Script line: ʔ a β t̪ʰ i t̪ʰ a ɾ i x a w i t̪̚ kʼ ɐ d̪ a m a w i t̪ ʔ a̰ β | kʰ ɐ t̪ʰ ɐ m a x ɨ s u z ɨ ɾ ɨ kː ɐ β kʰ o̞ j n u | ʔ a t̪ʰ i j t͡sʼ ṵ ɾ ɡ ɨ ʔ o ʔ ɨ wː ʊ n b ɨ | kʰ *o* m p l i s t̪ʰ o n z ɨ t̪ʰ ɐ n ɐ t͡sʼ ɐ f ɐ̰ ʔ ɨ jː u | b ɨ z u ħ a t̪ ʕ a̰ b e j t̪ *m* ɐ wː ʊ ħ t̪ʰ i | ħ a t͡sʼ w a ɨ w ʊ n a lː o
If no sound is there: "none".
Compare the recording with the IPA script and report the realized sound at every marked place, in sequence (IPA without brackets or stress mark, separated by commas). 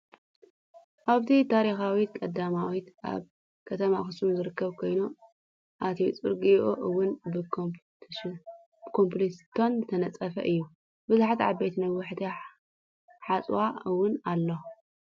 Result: o, n